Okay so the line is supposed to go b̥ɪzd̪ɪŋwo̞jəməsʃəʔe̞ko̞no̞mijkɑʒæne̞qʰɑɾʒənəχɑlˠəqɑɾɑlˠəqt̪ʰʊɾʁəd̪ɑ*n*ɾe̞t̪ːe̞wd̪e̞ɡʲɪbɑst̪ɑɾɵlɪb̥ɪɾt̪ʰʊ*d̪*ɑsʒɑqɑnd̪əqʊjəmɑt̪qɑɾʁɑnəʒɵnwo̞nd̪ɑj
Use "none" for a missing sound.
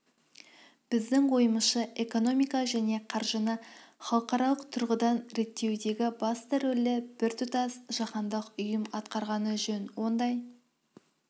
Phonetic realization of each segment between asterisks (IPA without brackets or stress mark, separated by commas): n, t̪